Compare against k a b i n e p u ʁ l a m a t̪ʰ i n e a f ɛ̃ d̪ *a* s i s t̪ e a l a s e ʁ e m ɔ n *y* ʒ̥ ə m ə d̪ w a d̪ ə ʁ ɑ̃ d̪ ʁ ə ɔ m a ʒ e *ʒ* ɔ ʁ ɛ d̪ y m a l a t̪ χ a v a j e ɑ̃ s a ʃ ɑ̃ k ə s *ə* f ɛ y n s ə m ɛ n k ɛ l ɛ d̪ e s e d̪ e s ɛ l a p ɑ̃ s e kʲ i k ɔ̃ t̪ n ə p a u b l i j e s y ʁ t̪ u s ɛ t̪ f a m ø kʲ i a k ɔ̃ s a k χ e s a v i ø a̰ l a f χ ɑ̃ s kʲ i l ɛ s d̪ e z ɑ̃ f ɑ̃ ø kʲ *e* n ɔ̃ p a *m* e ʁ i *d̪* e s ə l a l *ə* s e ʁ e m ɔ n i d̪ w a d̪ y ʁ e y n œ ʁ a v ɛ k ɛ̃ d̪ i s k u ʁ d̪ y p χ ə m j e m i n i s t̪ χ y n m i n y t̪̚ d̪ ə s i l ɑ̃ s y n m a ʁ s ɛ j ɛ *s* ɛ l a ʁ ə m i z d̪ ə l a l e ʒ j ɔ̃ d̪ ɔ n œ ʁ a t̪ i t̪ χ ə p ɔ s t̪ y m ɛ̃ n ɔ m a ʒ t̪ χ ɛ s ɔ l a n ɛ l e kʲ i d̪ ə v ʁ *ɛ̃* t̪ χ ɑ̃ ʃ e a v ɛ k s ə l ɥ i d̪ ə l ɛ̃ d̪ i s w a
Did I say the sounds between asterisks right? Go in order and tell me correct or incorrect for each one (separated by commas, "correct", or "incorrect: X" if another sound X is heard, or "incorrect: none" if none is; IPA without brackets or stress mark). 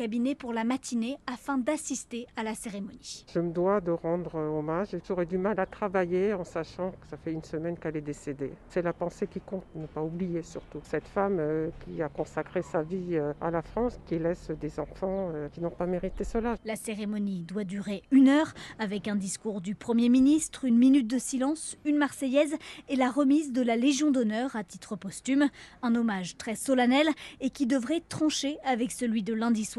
correct, incorrect: i, correct, incorrect: a, incorrect: i, correct, incorrect: t̪, incorrect: a, incorrect: z, incorrect: ɛ